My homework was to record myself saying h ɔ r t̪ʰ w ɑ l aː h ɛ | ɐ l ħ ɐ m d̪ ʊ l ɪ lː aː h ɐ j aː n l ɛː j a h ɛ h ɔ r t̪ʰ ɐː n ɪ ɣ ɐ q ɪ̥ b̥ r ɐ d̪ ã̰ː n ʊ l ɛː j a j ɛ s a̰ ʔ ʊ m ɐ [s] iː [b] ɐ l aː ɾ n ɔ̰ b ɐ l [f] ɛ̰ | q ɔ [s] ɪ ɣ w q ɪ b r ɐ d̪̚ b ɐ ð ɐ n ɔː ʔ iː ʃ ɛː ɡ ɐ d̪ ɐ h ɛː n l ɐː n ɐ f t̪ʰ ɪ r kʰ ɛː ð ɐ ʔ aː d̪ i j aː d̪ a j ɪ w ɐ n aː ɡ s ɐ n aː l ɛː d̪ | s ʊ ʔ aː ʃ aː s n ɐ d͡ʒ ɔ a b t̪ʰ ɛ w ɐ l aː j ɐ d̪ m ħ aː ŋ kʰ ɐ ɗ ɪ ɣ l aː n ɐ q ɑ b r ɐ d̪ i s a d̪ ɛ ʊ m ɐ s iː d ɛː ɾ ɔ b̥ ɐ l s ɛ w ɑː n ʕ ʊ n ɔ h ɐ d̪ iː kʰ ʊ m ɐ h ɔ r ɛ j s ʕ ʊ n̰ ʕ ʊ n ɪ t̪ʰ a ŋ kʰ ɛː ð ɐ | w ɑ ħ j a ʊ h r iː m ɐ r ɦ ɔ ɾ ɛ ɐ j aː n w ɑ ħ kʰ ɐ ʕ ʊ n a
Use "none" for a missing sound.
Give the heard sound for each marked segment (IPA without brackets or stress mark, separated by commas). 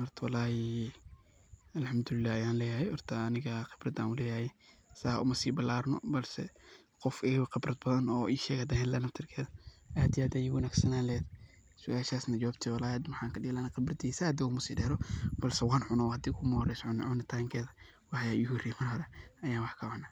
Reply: s, b, s, f